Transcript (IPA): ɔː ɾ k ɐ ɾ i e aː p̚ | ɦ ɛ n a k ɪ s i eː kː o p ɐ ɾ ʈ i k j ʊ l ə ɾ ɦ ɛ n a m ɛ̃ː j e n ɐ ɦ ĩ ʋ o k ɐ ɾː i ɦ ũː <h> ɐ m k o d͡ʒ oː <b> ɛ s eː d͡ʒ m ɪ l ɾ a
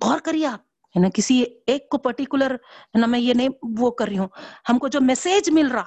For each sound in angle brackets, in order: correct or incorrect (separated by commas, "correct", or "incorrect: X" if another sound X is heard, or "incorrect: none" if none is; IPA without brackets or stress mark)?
correct, incorrect: m